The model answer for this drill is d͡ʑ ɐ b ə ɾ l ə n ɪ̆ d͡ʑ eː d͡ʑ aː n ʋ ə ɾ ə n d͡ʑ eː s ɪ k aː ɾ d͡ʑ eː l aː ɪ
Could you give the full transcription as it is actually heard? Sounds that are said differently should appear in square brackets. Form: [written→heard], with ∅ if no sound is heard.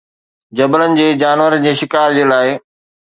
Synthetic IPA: d͡ʑ ɐ b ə [ɾ→∅] l ə n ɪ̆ d͡ʑ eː d͡ʑ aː n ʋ ə ɾ ə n d͡ʑ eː [s→ʃ] ɪ k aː ɾ d͡ʑ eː l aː ɪ